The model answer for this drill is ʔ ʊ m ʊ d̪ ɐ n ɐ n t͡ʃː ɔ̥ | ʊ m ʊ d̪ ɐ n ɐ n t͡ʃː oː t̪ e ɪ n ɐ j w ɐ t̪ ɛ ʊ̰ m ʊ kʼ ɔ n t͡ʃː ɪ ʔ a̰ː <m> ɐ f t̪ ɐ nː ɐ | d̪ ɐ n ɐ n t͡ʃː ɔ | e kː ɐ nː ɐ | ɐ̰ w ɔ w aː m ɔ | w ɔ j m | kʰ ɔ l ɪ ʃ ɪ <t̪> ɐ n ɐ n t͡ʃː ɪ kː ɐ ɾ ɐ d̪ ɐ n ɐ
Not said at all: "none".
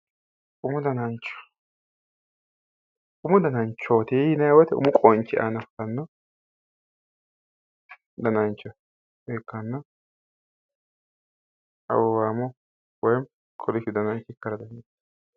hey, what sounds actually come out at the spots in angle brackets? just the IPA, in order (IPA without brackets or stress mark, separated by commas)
n, d̪